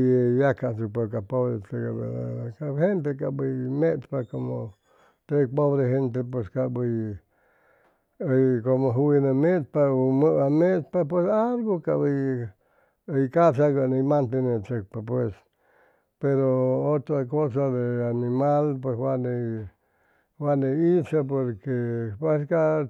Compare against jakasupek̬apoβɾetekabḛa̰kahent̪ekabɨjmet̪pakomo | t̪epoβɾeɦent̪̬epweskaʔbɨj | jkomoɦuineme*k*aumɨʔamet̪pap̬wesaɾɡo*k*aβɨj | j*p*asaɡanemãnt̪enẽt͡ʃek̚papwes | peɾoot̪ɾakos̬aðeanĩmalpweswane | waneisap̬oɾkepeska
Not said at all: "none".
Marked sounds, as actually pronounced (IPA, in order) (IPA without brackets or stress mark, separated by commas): p, k, k